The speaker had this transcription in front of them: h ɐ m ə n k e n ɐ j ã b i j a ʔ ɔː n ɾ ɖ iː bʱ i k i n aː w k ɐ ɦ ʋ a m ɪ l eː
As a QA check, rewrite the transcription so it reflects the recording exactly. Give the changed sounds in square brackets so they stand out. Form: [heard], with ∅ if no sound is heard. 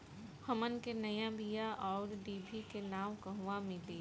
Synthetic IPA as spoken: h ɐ m ə n k e n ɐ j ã b i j a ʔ ɔː [∅] ɾ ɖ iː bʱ i k [e] n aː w k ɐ ɦ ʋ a m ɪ l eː